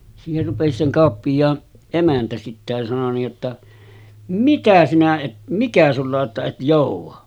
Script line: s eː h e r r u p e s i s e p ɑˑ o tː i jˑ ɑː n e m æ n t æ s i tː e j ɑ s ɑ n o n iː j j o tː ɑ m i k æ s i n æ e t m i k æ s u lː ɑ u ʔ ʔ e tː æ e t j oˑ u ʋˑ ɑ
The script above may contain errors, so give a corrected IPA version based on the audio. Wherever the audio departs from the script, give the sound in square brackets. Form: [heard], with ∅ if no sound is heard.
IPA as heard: s [iː] h e r r u p e s i s e [k] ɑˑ o [pː] i jˑ ɑː n e m æ n t æ s i tː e j ɑ s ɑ n o n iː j j o tː ɑ m i k æ s i n æ e t m i k æ s u lː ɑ [o] ʔ ʔ e tː æ e t j oˑ u ʋˑ ɑ